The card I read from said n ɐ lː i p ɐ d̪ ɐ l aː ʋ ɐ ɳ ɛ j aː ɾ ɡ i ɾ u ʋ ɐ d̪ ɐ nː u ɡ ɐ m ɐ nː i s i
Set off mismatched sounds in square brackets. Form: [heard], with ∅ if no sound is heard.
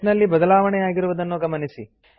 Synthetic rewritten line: n ɐ lː i [b] ɐ d̪ ɐ l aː ʋ ɐ ɳ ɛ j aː [∅] ɡ i ɾ u ʋ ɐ d̪ ɐ nː u ɡ ɐ m ɐ [n] i s i